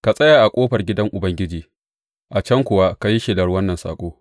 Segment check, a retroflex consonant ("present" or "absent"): absent